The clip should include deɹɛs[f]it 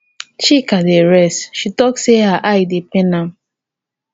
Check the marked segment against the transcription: incorrect: ʃ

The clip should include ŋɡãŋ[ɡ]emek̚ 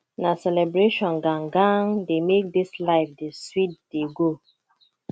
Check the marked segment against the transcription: incorrect: d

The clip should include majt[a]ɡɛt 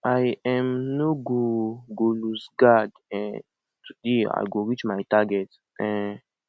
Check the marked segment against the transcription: correct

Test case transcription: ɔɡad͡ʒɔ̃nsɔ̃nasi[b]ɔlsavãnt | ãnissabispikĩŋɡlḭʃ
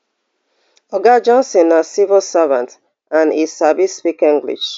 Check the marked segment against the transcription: incorrect: v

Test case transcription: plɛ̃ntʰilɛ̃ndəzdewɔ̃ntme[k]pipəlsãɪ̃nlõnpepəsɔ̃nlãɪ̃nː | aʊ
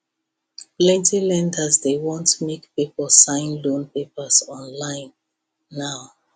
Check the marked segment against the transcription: correct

